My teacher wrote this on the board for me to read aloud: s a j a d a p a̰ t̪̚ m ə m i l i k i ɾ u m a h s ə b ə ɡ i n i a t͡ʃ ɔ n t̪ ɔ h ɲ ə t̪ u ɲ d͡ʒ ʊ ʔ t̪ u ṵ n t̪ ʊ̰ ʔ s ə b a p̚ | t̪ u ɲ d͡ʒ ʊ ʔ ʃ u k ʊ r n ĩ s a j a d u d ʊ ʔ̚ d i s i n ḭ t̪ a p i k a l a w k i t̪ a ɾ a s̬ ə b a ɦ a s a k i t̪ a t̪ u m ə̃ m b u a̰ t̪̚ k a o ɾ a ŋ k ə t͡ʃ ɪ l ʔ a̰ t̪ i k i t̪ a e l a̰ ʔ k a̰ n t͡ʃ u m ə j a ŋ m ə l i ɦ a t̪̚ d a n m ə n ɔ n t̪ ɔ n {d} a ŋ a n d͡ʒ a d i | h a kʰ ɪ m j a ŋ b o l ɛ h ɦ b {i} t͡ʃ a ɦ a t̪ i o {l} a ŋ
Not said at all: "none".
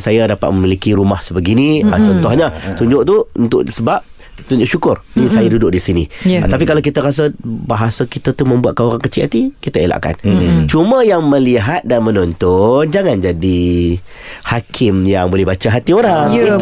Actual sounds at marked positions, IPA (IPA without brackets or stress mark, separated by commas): d͡ʒ, a, ɾ